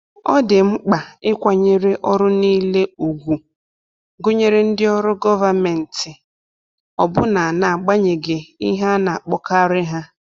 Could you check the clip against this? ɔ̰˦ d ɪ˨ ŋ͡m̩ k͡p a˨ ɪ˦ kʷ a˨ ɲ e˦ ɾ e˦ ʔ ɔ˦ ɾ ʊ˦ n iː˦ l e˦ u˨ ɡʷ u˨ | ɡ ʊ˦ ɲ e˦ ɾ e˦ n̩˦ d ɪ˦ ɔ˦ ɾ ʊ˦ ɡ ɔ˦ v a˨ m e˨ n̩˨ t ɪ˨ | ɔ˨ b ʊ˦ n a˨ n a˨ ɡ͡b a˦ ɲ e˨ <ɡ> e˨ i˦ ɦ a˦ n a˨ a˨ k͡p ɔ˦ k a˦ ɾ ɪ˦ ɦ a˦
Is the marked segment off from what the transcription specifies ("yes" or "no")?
no